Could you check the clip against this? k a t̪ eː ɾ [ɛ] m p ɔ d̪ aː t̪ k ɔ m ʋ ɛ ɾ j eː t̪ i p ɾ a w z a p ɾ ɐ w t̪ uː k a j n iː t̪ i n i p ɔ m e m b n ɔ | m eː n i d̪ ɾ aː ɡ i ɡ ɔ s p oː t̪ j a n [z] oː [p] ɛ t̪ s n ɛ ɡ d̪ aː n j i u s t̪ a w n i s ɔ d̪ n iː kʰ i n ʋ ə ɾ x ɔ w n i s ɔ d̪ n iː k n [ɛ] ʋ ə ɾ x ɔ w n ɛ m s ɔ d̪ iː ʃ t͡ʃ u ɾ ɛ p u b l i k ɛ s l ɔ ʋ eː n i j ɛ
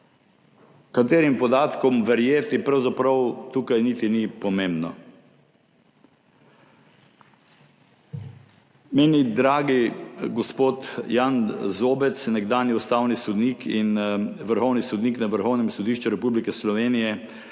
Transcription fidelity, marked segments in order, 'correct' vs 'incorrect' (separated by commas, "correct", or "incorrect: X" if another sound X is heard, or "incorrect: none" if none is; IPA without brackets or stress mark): incorrect: i, correct, incorrect: b, incorrect: a